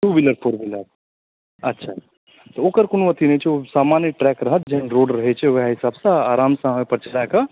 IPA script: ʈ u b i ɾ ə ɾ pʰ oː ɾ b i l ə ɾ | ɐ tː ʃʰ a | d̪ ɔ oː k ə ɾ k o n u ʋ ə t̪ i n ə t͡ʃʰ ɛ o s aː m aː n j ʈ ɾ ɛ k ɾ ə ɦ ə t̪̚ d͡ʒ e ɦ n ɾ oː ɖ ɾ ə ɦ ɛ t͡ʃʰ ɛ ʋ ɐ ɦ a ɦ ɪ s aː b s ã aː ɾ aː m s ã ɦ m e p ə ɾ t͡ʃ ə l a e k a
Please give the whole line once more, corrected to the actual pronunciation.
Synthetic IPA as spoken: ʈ u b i l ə ɾ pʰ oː ɾ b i l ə ɾ | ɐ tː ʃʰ a | t̪ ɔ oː k ə ɾ k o n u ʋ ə t̪ i n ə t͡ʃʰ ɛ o s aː m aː n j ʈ ɾ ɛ k ɾ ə ɦ ə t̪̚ d͡ʒ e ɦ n ɾ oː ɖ ɾ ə ɦ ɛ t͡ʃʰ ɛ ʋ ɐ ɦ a ɦ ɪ s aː b s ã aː ɾ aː m s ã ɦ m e p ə ɾ t͡ʃ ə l a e k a